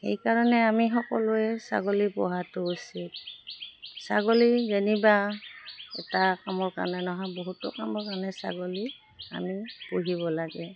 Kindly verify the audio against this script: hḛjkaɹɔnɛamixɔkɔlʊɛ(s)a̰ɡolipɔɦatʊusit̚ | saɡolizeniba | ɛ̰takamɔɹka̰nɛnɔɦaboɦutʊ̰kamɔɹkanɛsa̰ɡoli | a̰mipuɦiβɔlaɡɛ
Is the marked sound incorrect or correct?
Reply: correct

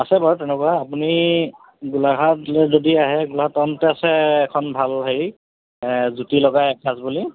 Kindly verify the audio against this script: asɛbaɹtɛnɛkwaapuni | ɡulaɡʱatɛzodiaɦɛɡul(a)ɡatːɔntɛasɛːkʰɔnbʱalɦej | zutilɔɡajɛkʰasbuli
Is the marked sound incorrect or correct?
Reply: correct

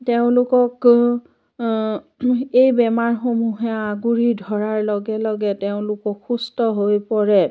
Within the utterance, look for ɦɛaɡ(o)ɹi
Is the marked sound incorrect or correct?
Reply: incorrect: u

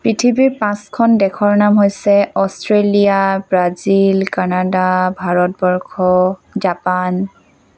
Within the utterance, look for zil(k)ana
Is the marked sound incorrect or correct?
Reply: correct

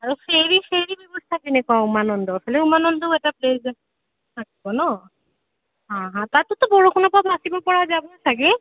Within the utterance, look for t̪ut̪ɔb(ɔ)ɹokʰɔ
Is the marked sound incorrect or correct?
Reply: correct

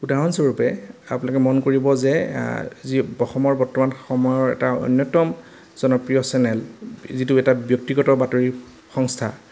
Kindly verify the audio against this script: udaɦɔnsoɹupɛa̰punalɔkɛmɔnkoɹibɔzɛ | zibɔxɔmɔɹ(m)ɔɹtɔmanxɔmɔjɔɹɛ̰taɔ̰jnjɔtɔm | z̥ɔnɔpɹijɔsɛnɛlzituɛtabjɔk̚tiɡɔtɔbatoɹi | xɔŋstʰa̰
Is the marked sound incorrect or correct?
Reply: incorrect: b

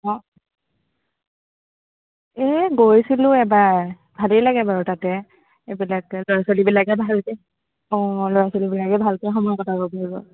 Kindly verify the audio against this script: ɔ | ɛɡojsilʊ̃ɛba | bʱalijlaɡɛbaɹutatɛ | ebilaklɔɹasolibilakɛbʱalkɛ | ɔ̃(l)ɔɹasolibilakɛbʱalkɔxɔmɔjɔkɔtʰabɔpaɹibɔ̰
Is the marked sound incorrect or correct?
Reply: correct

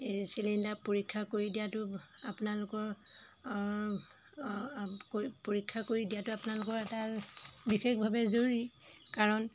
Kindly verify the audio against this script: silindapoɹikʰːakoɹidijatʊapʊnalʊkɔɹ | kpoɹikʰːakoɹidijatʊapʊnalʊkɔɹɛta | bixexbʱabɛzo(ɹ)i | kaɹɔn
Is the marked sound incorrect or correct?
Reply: correct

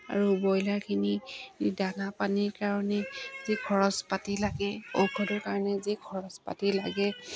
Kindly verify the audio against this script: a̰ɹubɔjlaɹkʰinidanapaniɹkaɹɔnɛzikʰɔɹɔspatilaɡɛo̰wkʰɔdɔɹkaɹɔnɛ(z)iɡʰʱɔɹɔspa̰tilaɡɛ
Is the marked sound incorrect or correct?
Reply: correct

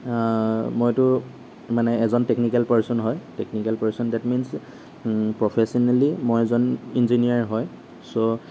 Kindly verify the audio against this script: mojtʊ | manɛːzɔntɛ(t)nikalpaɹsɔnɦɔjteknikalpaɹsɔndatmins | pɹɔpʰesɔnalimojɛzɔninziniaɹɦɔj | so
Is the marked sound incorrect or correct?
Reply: incorrect: k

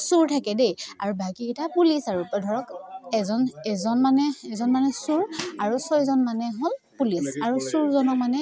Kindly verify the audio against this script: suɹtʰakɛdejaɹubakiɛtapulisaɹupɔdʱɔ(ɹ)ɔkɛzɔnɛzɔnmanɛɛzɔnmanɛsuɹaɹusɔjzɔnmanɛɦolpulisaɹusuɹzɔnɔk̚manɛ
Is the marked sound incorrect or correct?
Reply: correct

